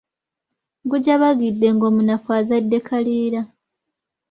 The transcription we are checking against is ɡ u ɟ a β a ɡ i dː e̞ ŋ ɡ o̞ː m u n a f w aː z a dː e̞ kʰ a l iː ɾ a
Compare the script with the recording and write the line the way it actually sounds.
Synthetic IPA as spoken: ɡ u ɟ a β a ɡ i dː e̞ ŋ ɡ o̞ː m u n a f w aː z a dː e̞ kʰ a l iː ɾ a